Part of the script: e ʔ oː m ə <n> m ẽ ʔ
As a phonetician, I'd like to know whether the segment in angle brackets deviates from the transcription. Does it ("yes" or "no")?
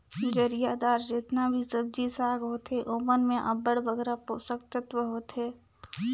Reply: no